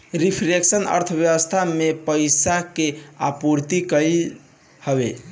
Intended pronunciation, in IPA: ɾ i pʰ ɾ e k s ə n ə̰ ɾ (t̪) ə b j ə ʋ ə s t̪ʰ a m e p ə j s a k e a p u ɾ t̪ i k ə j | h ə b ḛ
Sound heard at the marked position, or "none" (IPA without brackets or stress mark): t̪ʰ